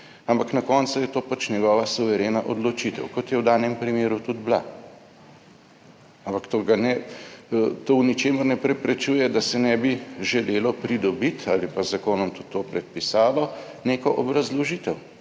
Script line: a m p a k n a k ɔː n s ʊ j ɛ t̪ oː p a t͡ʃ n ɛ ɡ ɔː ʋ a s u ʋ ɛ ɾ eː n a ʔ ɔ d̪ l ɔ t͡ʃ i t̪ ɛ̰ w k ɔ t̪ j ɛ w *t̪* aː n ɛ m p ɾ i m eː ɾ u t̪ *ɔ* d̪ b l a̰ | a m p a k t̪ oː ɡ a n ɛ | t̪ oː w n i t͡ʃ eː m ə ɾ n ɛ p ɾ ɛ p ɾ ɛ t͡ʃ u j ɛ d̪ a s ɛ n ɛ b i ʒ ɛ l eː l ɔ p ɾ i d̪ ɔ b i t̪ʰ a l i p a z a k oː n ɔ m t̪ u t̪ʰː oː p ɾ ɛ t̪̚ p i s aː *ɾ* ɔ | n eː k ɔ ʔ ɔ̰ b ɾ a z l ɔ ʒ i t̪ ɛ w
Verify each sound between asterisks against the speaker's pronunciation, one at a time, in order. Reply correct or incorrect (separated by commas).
incorrect, incorrect, incorrect